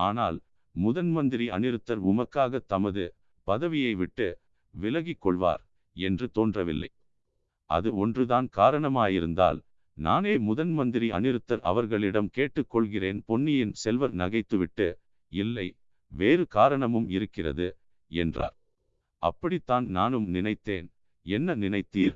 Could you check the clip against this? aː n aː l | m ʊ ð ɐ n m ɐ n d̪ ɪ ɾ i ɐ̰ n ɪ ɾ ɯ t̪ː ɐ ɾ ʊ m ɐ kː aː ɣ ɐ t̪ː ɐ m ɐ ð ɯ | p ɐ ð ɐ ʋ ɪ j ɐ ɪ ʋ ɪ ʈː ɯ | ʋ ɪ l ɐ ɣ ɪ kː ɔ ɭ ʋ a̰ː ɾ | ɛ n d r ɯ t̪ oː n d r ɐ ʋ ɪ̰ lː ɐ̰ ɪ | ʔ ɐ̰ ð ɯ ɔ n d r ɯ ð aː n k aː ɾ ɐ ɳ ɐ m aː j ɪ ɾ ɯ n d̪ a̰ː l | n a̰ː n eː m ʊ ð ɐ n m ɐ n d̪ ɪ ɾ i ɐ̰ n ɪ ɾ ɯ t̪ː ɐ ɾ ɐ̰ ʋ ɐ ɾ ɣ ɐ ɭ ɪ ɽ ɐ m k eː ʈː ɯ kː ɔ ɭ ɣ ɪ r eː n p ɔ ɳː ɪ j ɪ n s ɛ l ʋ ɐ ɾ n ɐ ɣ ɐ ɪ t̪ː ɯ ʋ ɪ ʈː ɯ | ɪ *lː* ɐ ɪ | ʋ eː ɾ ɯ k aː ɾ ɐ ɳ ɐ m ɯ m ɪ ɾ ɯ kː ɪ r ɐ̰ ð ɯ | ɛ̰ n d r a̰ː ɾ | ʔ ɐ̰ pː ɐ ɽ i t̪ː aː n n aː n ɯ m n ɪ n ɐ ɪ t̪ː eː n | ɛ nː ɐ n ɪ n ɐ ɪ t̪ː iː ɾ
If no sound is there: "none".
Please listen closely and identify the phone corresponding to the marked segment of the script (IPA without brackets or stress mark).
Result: lː